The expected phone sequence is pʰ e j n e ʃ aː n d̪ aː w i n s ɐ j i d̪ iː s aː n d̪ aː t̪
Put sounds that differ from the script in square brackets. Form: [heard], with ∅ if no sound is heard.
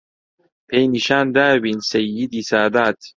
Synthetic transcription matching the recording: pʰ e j n [i] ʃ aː n d̪ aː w i n s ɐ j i d̪ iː s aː [∅] d̪ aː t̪